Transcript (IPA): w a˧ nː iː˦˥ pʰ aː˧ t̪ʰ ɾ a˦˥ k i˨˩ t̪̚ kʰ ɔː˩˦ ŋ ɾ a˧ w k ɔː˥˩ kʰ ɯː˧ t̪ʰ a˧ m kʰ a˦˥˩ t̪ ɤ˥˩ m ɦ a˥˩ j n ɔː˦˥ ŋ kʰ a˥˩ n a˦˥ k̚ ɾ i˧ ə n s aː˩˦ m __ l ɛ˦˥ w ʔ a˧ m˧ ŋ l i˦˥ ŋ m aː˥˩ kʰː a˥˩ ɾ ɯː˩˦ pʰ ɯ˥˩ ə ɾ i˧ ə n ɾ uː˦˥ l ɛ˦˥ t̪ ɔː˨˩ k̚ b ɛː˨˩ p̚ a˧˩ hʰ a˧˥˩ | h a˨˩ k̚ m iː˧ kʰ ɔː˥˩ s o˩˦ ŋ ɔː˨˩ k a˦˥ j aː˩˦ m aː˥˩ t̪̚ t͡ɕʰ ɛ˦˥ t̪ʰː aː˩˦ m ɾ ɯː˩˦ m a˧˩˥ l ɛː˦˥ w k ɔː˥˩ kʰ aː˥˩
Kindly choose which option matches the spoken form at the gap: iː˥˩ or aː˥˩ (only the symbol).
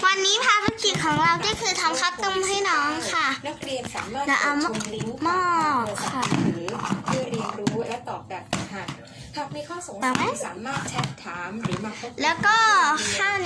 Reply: aː˥˩